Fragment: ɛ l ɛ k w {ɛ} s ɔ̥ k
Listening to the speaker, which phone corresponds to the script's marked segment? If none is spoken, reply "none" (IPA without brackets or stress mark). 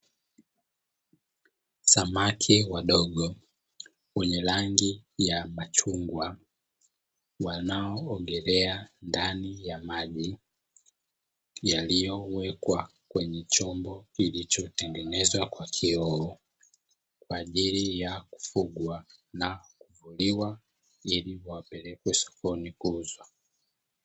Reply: ɛ